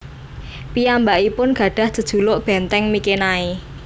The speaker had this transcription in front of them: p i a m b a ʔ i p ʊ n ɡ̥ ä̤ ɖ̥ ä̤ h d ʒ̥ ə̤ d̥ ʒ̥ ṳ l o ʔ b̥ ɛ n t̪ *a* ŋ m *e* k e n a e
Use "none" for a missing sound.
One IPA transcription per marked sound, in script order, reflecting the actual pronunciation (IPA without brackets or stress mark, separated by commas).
ɛ, i